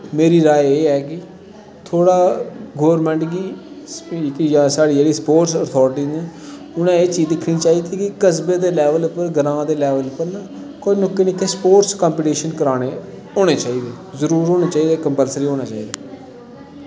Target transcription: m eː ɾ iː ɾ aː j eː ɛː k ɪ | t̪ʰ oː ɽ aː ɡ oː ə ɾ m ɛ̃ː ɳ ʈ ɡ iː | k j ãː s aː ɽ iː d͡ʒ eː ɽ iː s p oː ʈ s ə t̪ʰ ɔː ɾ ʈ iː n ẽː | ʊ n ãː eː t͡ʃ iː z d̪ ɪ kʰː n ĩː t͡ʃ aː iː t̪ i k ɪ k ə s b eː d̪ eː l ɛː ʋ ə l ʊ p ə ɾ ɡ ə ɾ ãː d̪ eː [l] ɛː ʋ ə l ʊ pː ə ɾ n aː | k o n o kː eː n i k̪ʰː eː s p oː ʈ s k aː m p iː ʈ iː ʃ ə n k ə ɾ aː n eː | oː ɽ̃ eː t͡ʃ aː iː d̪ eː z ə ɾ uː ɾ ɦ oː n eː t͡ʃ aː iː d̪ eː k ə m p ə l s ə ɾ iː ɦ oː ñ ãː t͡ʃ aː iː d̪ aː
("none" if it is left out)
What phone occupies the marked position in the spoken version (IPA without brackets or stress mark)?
l